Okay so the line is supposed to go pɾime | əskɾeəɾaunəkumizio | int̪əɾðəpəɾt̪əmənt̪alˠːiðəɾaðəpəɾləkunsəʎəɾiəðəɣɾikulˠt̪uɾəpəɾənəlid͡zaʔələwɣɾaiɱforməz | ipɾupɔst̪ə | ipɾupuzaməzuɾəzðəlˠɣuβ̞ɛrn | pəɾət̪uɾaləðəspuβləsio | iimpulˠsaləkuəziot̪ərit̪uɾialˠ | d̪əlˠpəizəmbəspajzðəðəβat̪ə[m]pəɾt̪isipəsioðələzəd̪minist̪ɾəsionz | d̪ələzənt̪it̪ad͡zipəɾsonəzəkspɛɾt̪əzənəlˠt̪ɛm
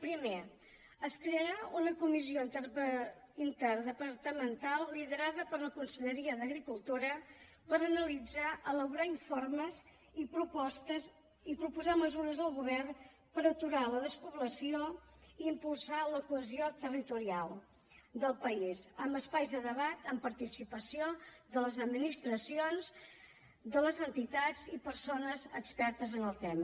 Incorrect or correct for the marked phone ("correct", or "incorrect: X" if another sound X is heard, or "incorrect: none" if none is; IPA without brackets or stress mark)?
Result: correct